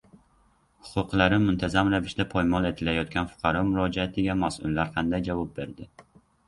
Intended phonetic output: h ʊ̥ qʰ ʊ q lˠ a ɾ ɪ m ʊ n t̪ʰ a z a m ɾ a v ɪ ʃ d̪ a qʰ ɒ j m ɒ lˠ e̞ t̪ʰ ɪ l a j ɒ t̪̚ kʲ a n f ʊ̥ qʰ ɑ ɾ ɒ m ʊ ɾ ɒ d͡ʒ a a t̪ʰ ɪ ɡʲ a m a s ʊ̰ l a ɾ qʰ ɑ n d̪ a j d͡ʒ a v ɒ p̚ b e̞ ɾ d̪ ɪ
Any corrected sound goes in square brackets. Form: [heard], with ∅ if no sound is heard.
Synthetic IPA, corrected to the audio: h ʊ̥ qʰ ʊ q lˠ a ɾ ɪ m ʊ n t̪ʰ a z a m ɾ a v ɪ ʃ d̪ a [pʰ] ɒ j m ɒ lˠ e̞ t̪ʰ ɪ l a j ɒ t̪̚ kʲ a n f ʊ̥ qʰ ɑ ɾ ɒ m ʊ ɾ ɒ d͡ʒ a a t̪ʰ ɪ ɡʲ a m a s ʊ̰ [lː] a ɾ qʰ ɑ n d̪ a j d͡ʒ a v ɒ p̚ b e̞ ɾ d̪ ɪ